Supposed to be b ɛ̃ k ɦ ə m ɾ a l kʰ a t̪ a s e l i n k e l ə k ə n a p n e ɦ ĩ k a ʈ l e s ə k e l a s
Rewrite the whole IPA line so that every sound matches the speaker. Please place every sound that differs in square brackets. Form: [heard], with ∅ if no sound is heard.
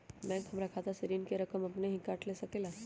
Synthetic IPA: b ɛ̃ k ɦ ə m ɾ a [∅] kʰ a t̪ a s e [ɾ] i n k e [ɾ] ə k ə [m] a p n e ɦ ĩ k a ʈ l e s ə k e l a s